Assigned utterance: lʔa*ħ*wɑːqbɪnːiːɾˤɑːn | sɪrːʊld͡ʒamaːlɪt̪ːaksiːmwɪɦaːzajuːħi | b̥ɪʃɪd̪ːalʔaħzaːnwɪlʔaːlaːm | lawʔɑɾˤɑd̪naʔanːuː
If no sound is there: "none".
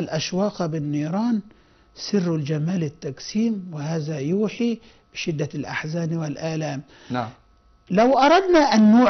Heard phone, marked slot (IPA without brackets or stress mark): ʃ